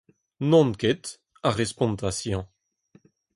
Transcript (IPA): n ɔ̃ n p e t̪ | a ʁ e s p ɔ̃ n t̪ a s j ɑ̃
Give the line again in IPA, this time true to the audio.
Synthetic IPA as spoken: n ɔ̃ n k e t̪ | a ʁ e s p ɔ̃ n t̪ a s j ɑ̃